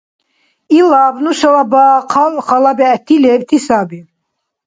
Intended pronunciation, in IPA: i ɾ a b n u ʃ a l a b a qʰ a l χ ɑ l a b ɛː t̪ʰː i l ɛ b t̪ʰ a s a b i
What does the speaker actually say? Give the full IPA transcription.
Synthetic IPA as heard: i l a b n u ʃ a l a b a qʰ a l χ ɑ l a b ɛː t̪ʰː i l ɛ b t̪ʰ i s a b i